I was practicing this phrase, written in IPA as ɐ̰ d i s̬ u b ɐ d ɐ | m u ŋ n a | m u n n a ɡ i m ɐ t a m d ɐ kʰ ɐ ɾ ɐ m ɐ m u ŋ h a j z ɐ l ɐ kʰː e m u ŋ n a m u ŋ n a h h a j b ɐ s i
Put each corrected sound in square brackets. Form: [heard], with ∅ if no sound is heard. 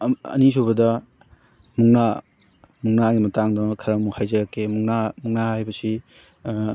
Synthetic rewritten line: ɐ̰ [n] i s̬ u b ɐ d ɐ | m u ŋ n a | m u [ŋ] n a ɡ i m ɐ t a [ŋ] d ɐ kʰ ɐ ɾ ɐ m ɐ m u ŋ h a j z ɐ [ɾ] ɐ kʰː e m u ŋ n a m u ŋ n a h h a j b ɐ s i